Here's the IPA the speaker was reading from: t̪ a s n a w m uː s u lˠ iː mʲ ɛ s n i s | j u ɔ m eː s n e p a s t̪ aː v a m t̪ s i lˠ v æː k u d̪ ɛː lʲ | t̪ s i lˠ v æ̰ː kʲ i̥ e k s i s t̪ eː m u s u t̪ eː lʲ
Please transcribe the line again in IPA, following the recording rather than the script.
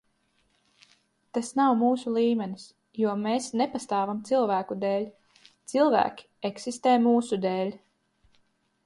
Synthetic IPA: t̪ a s n a w m uː s u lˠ iː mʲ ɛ n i s | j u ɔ m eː s n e p a s t̪ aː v a m t̪ s i lˠ v æː k u d̪ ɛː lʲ | t̪ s i lˠ v æ̰ː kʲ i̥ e k s i s t̪ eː m uː s u d̪ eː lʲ